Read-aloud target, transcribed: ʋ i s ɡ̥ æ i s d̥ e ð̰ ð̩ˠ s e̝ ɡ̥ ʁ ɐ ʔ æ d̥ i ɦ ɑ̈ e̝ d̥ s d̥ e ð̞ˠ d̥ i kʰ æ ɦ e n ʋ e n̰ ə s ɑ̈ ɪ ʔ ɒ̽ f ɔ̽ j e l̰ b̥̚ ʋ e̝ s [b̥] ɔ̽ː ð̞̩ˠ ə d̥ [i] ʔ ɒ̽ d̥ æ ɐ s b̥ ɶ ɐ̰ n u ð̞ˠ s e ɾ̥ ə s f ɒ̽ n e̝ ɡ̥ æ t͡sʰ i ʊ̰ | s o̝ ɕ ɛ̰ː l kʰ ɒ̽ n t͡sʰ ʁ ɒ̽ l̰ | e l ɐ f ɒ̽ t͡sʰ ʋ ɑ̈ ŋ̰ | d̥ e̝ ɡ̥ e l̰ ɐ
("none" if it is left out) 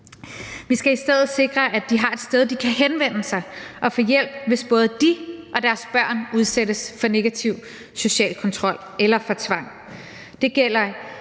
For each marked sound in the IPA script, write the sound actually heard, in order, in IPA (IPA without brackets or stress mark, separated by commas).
b̥, i